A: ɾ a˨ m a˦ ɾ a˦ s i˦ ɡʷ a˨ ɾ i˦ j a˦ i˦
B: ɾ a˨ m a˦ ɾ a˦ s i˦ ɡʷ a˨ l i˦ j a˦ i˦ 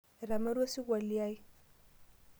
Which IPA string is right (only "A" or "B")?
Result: B